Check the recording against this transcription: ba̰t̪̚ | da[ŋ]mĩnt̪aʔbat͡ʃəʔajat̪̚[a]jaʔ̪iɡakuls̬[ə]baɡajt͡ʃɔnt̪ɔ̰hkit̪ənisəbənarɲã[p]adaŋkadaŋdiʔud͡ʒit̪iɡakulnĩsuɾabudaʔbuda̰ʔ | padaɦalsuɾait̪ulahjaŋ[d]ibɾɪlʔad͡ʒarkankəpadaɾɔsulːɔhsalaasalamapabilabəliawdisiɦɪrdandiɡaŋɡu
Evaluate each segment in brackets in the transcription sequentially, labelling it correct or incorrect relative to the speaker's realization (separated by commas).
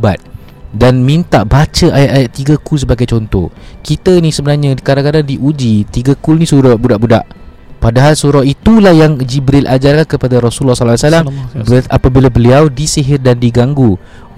incorrect, correct, correct, incorrect, incorrect